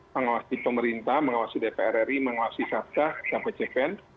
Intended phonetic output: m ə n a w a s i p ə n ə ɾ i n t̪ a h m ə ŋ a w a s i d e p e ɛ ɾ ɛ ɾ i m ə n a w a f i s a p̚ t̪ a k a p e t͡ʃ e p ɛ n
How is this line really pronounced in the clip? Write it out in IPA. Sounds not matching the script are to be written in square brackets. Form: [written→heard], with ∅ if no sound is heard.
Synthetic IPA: m ə [n→ŋ] a w a s i p ə [n→m] ə ɾ i n t̪ a h m ə ŋ a w a s i d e p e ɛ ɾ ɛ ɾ i m ə [n→ŋ] a w a [f→s] i s a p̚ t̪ a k a p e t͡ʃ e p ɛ n